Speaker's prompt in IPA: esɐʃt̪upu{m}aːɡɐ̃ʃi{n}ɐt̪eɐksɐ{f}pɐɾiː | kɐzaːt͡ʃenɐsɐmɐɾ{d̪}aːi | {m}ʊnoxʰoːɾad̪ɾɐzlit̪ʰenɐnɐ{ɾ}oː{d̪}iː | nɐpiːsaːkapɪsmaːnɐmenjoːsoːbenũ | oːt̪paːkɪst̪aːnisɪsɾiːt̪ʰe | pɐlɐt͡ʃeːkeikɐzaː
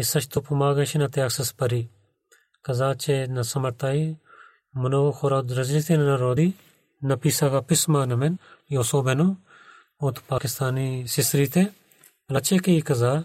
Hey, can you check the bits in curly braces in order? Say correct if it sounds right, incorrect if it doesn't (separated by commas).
correct, correct, incorrect, incorrect, correct, correct, correct